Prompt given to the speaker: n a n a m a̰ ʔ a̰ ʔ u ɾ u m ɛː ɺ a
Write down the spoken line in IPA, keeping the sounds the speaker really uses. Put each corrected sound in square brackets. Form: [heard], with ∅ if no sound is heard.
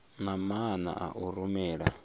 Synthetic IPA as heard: n a [m] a [n] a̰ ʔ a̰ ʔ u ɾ u m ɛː ɺ a

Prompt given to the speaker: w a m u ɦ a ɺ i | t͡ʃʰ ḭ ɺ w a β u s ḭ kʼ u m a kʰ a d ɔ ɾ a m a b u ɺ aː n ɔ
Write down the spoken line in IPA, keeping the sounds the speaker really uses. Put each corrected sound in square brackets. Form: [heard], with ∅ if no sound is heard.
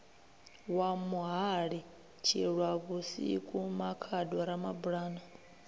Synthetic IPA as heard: w a m u ɦ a ɺ i | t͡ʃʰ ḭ ɺ w a β u s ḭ kʼ u m a kʰ a d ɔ ɾ a m a b u ɺ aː n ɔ

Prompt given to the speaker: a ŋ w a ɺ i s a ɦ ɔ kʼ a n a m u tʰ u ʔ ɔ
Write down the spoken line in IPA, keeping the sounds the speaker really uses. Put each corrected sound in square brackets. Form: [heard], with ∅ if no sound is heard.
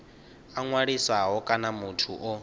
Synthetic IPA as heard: a ŋ w a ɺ i s a ɦ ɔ kʼ a n a m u tʰ u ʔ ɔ

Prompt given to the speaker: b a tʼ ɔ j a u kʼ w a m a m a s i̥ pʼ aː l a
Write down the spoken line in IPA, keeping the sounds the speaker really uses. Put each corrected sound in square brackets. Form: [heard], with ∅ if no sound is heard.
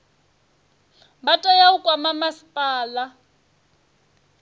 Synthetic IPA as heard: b a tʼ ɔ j a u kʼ w a m a m a s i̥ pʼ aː l a

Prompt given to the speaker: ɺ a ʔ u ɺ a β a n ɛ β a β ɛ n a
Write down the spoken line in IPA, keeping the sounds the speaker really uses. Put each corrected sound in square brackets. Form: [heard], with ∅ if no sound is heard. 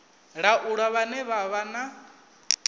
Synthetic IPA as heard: ɺ a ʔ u ɺ a β a n ɛ β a β [a] n a

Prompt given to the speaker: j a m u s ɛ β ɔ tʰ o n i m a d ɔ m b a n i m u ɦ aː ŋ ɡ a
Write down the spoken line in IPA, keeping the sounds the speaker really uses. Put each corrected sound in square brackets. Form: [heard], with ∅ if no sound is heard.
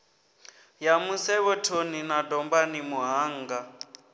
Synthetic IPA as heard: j a m u s ɛ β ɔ tʰ o n i [n] a d ɔ m b a n i m u ɦ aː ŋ ɡ a

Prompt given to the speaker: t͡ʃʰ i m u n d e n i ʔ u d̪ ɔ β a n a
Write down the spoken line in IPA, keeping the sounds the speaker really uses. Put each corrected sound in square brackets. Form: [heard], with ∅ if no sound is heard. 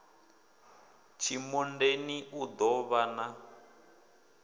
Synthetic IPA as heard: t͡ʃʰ i m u n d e n i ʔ u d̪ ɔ β a n a

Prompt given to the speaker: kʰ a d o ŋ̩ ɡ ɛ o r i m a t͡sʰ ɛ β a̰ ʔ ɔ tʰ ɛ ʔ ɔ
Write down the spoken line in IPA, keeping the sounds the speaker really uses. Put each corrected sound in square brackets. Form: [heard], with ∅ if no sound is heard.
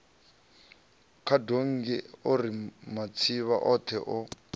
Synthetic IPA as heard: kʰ a d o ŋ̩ ɡ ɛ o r i m a t͡sʰ [i] β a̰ ʔ ɔ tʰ ɛ ʔ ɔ

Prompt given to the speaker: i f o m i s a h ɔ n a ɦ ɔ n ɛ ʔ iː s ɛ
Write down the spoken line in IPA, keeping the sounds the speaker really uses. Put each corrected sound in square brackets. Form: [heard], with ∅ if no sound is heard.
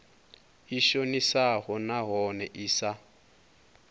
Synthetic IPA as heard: i [ʃ] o [n] i s a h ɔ n a ɦ ɔ n ɛ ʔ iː s [a]

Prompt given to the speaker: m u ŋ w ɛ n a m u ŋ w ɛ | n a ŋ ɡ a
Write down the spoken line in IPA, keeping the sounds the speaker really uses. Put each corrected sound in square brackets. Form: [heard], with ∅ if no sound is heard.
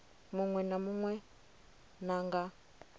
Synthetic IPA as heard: m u ŋ w ɛ n a m u ŋ w ɛ | n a ŋ ɡ a

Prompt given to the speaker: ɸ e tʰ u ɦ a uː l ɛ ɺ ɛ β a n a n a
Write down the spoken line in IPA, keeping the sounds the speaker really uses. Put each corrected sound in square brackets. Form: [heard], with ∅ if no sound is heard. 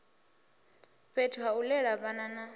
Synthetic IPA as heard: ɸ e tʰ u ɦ a [u] l ɛ ɺ [a] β a n a n a

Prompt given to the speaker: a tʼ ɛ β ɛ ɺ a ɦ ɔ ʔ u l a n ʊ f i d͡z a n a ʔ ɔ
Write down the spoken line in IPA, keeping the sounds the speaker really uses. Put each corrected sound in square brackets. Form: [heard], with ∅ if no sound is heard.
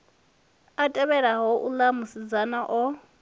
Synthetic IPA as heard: a tʼ ɛ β ɛ ɺ a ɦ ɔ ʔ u l a [m] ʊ [s] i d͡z a n a ʔ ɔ

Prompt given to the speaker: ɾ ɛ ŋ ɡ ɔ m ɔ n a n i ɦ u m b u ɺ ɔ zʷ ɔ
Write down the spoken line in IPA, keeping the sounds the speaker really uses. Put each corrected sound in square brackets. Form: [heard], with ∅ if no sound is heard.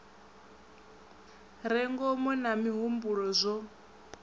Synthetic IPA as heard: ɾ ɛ ŋ ɡ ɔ m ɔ n a [m] i ɦ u m b u ɺ ɔ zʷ ɔ

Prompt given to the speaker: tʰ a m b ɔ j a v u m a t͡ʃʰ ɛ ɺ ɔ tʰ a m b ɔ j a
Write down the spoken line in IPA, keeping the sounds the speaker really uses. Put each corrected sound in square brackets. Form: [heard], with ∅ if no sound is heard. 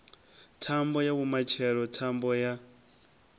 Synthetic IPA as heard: tʰ a m b ɔ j a [β] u m a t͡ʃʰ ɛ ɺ ɔ tʰ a m b ɔ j a

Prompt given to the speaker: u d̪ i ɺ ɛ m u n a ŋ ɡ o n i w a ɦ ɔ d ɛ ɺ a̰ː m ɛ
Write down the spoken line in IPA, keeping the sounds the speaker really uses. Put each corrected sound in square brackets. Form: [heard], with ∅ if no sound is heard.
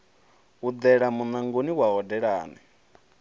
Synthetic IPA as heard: u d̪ [ɛ] ɺ [a] m u n a ŋ ɡ o n i w a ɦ ɔ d ɛ ɺ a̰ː [n] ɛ

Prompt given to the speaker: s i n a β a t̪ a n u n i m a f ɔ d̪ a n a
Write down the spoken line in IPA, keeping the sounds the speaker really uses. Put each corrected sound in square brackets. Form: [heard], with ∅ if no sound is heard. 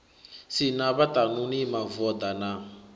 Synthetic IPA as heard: s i n a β a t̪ a n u n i m a [v] ɔ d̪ a n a

